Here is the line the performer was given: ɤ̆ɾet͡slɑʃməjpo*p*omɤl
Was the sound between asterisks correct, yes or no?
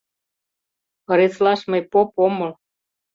yes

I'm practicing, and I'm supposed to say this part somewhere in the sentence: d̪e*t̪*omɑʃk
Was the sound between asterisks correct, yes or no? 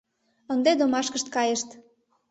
no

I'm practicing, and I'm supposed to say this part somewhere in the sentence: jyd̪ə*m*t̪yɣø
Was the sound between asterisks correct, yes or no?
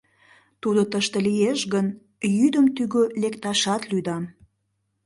yes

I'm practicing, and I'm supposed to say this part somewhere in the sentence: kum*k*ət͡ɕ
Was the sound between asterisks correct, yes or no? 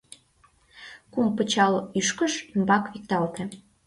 no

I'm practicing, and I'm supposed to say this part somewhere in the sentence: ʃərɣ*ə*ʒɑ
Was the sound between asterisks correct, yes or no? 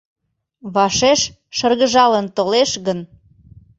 yes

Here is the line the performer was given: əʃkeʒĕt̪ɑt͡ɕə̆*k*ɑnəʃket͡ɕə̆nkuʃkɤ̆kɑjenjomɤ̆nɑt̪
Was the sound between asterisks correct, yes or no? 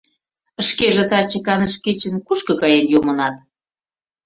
yes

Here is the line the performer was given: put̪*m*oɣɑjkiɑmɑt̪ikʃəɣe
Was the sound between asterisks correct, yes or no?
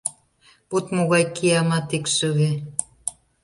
yes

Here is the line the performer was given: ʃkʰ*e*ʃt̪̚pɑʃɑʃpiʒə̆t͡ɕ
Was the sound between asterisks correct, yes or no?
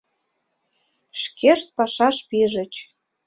yes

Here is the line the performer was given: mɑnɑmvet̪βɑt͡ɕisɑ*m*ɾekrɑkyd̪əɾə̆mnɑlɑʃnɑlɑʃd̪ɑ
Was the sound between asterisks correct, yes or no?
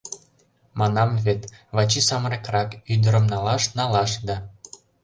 yes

